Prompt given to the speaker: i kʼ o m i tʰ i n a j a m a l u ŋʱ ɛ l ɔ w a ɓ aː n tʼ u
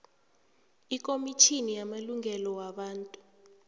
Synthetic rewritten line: i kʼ o m i tʰ i n i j a m a l u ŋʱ ɛ l ɔ w a ɓ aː n tʼ u